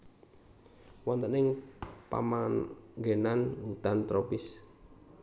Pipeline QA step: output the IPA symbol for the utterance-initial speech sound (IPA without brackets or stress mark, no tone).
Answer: w